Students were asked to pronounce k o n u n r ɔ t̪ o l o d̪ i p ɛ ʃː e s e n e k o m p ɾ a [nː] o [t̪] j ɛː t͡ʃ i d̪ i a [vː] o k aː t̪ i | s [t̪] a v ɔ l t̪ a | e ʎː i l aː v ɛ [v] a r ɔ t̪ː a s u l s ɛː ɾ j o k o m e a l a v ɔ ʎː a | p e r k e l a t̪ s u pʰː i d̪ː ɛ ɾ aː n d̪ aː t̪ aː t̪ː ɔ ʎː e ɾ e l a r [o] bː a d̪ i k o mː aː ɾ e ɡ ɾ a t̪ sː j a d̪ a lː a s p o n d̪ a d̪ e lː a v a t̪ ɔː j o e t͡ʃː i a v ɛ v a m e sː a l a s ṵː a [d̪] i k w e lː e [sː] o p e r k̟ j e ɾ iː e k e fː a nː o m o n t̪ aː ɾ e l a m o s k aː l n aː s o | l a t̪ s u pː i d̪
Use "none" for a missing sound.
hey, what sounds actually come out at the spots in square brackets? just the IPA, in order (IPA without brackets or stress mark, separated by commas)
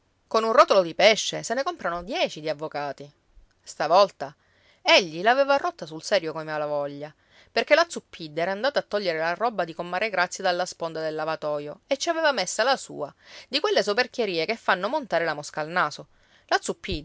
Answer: n, d̪, vː, t̪, v, ɔ, d̪, s